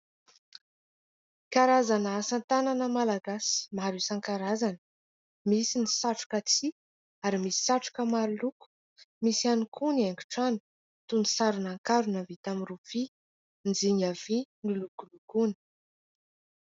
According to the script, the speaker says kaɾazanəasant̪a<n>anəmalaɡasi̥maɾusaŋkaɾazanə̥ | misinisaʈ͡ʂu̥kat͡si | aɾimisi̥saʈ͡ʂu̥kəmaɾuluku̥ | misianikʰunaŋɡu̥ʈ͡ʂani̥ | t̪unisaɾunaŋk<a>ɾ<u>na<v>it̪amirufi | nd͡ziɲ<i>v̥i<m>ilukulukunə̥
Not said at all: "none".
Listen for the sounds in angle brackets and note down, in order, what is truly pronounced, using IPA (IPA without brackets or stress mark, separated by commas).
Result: n, a, u, v, a, n